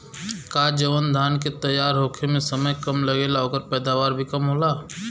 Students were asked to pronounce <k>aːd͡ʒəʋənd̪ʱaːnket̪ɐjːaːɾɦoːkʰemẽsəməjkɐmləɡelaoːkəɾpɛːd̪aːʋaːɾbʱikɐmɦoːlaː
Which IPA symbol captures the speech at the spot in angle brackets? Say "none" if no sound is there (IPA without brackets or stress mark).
k